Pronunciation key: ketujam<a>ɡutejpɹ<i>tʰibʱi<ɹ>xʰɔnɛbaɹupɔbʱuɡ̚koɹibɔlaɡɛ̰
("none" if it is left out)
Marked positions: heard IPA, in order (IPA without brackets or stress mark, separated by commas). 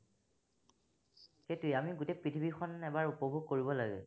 i, i, none